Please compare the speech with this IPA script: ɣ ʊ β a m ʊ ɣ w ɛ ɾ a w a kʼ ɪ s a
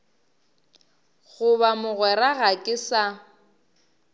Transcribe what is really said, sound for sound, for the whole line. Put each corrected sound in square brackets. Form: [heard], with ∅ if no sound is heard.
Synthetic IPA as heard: ɣ ʊ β a m ʊ ɣ w ɛ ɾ a [ɣ] a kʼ ɪ s a